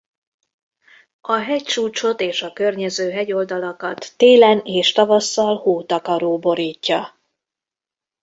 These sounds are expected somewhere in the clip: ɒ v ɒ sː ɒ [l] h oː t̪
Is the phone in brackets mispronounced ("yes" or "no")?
no